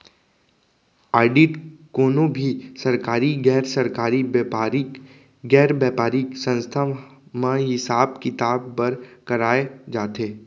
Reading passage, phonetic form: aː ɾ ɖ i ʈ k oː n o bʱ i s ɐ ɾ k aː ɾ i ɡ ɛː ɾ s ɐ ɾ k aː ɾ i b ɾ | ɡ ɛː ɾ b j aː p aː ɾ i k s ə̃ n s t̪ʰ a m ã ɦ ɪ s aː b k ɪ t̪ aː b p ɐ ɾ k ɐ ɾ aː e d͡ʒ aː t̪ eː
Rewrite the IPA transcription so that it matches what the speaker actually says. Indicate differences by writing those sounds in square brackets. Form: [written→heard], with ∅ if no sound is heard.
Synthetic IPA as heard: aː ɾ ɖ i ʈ k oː n o bʱ i s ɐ ɾ k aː ɾ i ɡ ɛː ɾ s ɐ ɾ k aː ɾ i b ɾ | ɡ ɛː ɾ b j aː p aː ɾ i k s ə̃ n s t̪ʰ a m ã ɦ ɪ s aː b k ɪ t̪ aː b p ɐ ɾ k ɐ ɾ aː e d͡ʒ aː t̪ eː